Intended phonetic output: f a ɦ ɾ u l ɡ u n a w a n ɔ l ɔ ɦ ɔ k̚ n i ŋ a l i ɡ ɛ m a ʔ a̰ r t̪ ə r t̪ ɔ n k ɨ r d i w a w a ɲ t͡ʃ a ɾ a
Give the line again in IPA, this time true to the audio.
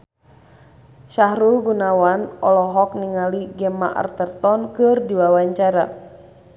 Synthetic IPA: ʃ a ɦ ɾ u l ɡ u n a w a n ɔ l ɔ ɦ ɔ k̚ n i ŋ a l i ɡ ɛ m a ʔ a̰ r t̪ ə r t̪ ɔ n k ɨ r d i w a w a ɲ t͡ʃ a ɾ a